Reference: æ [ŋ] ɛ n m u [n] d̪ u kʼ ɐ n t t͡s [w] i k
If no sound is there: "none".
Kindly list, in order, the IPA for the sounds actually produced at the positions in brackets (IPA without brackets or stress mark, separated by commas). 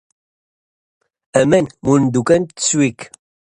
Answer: m, n, w